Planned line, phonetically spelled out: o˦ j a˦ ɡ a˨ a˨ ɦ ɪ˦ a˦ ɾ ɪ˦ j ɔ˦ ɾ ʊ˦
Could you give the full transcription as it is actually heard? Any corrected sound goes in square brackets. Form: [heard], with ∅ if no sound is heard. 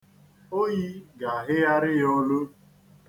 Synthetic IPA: o˦ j [i˦] ɡ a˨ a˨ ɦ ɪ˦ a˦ ɾ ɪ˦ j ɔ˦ [l] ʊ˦

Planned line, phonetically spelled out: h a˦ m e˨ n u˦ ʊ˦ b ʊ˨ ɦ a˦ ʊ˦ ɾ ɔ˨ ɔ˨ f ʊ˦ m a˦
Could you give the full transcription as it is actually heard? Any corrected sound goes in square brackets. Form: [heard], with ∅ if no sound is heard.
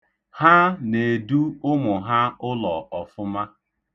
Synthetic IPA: h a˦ [n] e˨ [d] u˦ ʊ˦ [m] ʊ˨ ɦ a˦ ʊ˦ [l] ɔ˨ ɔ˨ f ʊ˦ m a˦

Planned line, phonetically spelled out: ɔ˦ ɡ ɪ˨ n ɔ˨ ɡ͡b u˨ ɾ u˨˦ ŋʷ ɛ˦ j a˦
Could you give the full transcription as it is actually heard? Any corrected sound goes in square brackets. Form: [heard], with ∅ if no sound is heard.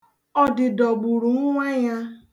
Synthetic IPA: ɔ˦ [d] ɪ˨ [d] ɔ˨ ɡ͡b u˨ ɾ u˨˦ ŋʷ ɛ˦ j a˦

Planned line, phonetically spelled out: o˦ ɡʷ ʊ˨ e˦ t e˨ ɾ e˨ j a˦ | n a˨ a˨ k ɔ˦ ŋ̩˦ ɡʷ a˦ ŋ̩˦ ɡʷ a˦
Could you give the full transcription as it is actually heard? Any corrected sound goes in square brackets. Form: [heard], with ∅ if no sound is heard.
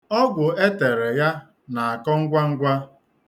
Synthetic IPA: [ɔ˦] ɡʷ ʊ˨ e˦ t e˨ ɾ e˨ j a˦ | n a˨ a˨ k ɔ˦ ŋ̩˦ ɡʷ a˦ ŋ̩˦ ɡʷ a˦

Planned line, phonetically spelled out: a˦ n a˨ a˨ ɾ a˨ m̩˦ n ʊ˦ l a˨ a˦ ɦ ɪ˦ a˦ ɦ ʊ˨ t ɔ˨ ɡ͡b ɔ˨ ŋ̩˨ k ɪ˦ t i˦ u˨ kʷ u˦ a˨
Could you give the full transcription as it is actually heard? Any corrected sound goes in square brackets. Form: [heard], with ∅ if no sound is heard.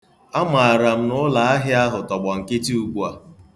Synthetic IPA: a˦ [m] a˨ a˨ ɾ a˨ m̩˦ n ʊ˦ l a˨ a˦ ɦ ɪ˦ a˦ ɦ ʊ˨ t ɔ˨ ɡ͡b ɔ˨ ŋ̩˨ k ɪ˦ t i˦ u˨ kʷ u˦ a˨

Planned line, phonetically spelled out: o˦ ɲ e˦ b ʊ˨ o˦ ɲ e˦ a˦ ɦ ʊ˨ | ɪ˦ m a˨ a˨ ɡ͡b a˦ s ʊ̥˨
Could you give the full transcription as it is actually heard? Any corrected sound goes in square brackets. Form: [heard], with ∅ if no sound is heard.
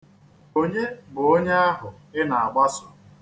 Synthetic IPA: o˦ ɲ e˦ b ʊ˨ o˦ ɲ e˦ a˦ ɦ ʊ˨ | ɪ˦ [n] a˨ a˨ ɡ͡b a˦ s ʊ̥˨

